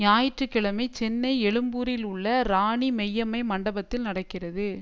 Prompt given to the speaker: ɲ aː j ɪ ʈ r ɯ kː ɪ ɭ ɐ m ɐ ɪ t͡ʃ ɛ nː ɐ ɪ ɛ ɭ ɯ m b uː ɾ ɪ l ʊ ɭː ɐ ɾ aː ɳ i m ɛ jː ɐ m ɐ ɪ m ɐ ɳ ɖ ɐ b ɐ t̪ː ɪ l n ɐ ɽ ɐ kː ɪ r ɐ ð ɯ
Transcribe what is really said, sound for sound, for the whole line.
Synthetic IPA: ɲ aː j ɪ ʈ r ɯ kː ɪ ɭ ɐ m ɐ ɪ t͡ʃ ɛ nː ɐ ɪ ɛ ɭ ɯ m b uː ɾ ɪ l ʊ ɭː ɐ ɾ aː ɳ i m ɛ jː ɐ m ɐ ɪ m ɐ ɳ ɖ ɐ b ɐ t̪ː ɪ l n ɐ ɽ ɐ kː ɪ r ɐ ð ɯ